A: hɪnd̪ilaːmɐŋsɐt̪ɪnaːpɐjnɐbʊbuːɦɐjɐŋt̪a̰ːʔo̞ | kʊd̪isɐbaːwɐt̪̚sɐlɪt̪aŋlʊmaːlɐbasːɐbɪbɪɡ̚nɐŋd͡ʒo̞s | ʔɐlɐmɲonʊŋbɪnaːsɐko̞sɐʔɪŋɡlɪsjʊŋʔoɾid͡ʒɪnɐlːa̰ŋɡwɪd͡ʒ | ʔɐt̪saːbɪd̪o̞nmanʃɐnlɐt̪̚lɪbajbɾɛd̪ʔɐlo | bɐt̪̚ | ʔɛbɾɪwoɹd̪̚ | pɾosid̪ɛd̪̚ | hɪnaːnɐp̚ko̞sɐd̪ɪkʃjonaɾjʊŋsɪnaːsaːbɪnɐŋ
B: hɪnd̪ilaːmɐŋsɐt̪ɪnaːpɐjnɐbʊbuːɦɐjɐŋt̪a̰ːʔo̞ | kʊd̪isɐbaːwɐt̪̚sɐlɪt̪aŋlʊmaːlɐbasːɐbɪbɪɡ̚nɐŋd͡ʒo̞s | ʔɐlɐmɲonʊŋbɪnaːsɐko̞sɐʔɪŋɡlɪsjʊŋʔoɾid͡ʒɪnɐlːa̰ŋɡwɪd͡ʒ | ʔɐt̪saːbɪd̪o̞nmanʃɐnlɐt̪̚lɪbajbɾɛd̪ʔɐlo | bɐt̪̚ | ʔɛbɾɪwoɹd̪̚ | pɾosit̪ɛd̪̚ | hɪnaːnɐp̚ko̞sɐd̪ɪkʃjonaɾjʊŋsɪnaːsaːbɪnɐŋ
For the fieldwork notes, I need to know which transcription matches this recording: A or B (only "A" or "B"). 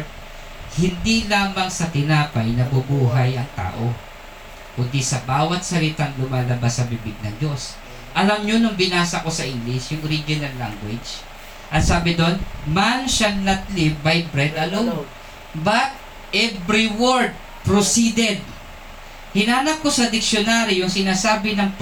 A